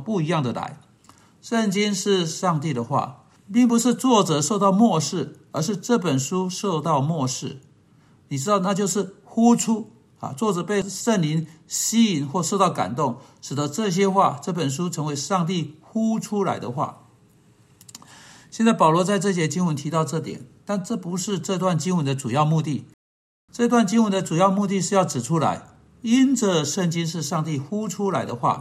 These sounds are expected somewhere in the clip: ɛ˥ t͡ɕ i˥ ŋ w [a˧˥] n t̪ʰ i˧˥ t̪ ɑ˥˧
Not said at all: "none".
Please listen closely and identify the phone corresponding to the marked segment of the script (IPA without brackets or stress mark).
ə˧˥